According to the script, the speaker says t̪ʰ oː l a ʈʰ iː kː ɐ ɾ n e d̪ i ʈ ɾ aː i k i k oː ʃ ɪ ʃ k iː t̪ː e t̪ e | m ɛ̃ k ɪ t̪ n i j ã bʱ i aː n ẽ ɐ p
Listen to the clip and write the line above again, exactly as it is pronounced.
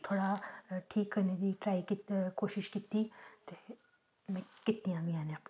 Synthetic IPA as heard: t̪ʰ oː ɽ a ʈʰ iː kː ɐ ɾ n e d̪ i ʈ ɾ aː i k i k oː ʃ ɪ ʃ k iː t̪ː i t̪ e | m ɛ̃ k ɪ t̪ n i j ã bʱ i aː n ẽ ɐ p